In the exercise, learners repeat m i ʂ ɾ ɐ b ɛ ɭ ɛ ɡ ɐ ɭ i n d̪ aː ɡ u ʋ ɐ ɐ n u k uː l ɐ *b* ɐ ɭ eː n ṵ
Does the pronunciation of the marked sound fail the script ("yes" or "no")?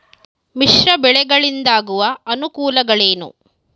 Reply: yes